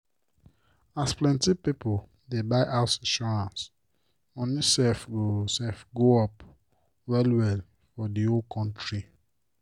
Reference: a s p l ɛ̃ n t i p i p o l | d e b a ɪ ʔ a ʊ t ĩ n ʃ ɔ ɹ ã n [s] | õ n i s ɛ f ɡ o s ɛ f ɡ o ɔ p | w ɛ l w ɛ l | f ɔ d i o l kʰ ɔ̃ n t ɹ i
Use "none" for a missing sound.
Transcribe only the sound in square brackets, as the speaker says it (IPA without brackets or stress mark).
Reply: s